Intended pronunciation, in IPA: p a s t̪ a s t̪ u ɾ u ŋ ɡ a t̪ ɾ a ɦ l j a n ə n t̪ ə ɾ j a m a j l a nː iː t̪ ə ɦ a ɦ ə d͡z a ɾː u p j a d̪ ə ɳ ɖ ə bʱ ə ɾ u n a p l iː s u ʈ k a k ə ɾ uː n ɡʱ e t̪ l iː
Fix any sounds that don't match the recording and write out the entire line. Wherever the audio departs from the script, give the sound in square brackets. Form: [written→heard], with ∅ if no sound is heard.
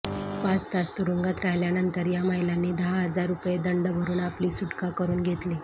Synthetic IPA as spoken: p a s t̪ a s t̪ u ɾ u ŋ ɡ a t̪ ɾ a ɦ l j a n ə n t̪ ə ɾ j a m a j l a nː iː [t̪→d̪] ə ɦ a ɦ ə d͡z a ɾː u p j [a→e] d̪ ə ɳ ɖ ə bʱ ə ɾ [u→uː] n a p l iː s u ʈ k a k ə ɾ uː n ɡʱ e t̪ l iː